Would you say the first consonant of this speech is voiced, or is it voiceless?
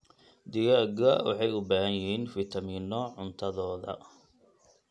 voiced